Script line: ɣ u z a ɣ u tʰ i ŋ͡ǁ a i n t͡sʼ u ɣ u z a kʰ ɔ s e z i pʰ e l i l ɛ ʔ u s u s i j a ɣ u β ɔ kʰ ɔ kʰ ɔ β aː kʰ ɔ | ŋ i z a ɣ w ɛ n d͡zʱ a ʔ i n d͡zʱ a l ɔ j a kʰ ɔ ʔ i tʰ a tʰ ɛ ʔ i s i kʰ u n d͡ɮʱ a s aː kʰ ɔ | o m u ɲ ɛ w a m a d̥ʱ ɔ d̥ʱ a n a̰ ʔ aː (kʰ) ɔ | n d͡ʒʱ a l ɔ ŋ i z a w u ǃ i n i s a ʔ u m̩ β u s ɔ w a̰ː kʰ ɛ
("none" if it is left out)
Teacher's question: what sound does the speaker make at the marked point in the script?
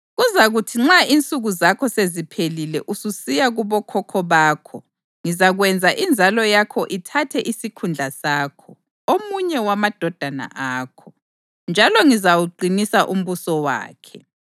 kʰ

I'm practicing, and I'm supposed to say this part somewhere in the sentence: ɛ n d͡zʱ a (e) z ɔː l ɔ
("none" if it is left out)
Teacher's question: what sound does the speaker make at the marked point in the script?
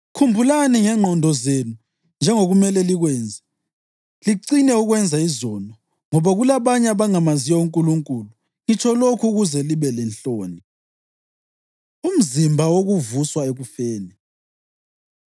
i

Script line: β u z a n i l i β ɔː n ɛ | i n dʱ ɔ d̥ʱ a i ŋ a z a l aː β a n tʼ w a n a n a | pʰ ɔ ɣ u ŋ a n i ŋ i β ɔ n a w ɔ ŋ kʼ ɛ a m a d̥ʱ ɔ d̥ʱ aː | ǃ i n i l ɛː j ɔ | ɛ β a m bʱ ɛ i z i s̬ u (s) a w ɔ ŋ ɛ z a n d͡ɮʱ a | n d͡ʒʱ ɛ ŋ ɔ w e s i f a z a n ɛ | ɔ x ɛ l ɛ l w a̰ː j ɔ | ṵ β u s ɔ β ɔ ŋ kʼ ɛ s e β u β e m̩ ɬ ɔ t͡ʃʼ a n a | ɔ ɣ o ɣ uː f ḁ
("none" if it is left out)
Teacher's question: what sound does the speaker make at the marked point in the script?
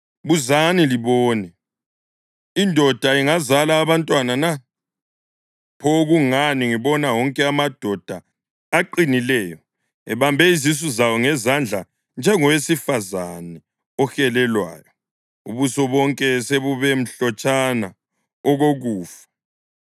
z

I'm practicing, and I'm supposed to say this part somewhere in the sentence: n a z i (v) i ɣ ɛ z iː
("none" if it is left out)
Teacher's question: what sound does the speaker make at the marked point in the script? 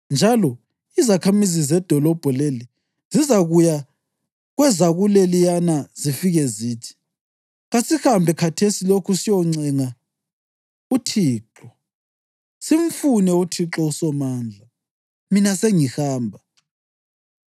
f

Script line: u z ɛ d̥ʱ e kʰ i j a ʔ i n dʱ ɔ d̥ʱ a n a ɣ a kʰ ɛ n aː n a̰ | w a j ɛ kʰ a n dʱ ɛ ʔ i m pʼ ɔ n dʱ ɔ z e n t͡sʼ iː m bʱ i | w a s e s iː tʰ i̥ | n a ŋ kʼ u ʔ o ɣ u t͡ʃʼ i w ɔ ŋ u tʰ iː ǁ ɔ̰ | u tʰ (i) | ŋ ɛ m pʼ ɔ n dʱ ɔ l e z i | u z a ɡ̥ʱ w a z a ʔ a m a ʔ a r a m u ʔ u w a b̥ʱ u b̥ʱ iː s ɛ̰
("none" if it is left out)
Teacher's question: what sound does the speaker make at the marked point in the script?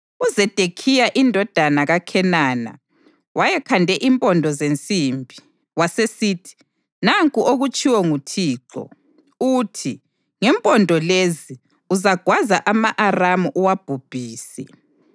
i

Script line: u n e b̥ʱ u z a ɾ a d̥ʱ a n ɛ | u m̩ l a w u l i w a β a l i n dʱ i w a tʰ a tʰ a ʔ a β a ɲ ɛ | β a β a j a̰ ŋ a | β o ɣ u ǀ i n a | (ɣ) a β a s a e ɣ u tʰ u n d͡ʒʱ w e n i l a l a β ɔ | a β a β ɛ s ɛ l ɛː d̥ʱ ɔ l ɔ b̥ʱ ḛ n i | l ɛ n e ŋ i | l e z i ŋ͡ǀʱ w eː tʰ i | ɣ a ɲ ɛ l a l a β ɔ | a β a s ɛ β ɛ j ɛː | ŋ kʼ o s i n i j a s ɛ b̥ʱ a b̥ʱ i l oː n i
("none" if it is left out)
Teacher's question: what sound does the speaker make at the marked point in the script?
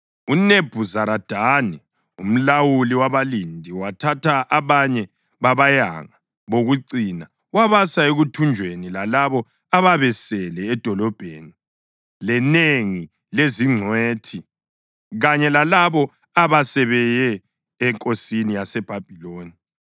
w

